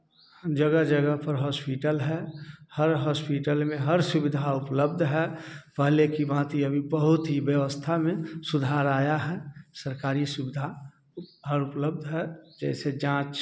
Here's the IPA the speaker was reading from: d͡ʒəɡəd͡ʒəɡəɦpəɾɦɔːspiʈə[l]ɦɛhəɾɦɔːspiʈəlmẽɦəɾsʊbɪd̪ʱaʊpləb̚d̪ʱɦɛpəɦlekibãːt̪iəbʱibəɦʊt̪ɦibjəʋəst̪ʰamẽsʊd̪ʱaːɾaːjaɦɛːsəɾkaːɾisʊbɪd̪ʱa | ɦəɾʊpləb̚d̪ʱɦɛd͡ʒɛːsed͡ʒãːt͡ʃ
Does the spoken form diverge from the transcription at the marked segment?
no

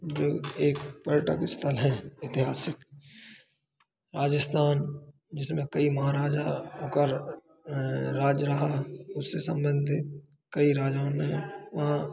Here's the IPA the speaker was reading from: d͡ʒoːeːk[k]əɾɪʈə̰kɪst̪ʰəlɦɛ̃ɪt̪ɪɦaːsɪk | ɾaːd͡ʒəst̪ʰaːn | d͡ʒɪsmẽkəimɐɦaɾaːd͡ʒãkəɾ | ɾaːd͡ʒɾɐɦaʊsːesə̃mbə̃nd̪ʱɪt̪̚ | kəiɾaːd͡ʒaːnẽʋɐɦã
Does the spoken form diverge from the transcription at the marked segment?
yes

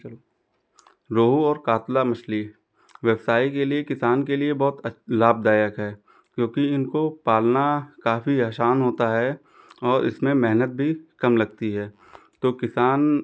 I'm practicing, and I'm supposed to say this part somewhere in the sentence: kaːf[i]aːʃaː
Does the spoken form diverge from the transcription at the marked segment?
no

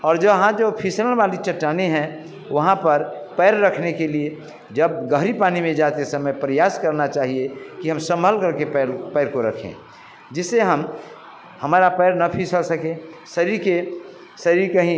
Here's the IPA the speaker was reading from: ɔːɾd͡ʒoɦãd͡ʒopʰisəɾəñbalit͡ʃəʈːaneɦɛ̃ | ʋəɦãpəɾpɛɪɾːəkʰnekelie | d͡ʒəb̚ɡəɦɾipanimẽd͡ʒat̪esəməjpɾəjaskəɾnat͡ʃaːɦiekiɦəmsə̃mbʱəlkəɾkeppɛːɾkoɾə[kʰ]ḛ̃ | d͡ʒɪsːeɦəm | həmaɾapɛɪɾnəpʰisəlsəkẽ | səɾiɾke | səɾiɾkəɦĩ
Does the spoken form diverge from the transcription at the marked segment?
no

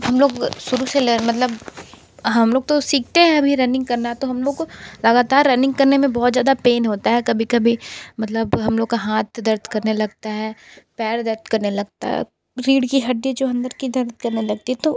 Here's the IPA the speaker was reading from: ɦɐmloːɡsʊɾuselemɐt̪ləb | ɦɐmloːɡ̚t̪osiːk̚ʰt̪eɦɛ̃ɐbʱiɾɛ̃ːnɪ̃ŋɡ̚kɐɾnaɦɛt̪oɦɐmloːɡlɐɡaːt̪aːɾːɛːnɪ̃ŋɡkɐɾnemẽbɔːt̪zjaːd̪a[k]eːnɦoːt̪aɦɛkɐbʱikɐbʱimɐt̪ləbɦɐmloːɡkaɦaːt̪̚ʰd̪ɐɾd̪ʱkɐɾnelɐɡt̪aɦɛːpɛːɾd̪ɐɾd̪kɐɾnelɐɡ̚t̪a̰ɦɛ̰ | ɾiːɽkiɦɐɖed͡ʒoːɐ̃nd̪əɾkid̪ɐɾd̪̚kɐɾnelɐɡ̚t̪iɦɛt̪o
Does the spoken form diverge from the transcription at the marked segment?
yes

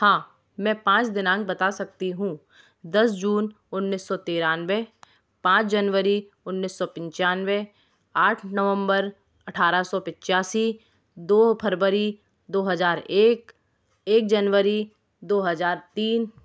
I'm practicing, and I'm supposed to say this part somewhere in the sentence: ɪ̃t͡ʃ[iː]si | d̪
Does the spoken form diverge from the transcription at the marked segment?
yes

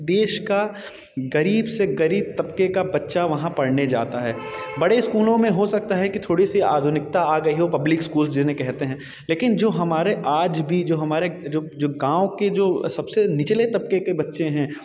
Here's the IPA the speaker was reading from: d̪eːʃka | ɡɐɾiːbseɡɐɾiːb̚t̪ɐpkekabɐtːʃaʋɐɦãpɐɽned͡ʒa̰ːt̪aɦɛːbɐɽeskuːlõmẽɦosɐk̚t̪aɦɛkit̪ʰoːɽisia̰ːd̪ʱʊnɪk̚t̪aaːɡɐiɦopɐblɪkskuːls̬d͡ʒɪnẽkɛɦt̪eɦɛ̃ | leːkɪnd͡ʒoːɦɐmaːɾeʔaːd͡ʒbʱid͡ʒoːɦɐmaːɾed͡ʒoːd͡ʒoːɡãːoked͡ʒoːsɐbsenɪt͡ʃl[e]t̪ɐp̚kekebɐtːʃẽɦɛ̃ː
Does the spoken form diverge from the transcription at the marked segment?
no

